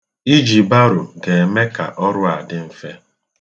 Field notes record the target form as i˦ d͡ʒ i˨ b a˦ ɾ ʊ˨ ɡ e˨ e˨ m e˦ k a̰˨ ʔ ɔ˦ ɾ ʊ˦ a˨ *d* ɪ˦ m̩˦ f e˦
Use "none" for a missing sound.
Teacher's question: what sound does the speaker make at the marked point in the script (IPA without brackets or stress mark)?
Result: d